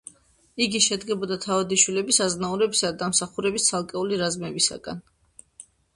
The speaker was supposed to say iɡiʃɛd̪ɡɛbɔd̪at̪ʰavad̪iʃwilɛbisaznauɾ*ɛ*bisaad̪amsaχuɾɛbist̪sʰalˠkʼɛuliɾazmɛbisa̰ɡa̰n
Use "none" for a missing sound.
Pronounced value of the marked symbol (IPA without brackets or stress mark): ɛ